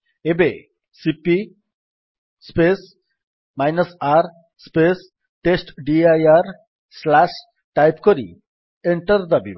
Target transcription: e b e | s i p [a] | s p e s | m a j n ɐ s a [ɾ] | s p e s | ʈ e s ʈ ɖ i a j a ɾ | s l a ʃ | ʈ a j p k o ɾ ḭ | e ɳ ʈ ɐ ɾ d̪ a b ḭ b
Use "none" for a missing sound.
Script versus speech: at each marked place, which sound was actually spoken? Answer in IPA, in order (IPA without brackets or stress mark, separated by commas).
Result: i, ɾ